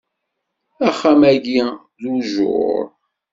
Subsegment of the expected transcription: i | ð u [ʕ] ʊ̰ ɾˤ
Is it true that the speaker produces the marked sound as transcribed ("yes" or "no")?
no